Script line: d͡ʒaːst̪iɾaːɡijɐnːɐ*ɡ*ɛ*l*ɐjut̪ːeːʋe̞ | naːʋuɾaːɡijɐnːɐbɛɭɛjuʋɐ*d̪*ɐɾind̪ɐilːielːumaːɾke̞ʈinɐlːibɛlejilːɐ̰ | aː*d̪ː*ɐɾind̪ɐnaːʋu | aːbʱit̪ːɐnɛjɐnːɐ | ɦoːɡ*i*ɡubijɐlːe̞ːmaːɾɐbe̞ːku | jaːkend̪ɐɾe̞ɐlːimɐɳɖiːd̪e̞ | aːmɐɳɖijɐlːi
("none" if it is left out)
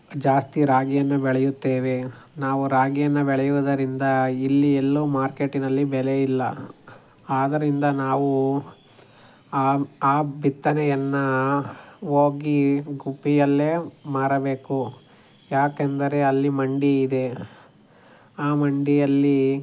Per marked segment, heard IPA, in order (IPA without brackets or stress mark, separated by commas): b, ɭ, d̪, d̪, i